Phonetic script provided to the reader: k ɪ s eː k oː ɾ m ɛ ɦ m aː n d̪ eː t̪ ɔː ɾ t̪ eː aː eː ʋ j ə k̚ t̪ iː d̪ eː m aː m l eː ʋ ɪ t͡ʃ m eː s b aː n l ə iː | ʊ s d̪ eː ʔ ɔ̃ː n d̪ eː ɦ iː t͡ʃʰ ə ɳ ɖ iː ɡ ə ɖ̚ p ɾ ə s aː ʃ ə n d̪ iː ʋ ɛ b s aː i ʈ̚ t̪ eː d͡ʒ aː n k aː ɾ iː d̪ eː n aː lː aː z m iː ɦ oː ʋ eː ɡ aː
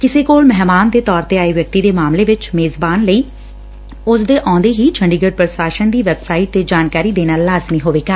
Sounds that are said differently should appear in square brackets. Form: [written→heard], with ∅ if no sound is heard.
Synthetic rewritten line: k ɪ s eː k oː [ɾ→l] m ɛ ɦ m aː n d̪ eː t̪ ɔː ɾ t̪ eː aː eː ʋ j ə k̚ t̪ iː d̪ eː m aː m l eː ʋ ɪ t͡ʃ m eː [s→z] b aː n l ə iː | ʊ s d̪ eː ʔ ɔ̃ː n d̪ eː ɦ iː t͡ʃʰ ə ɳ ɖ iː ɡ ə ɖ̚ p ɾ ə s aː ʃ ə n d̪ iː ʋ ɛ b s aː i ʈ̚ t̪ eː d͡ʒ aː n k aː ɾ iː d̪ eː n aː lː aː z m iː ɦ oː ʋ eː ɡ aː